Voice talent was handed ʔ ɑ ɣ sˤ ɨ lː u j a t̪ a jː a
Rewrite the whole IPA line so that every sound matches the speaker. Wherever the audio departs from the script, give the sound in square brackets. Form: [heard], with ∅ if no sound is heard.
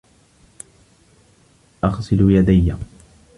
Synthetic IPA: ʔ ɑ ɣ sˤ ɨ [l] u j a [d̪] a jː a